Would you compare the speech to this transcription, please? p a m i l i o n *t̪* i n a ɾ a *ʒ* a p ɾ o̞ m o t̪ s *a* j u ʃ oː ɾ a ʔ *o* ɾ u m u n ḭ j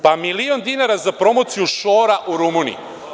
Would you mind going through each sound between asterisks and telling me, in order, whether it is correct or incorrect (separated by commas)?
incorrect, incorrect, incorrect, incorrect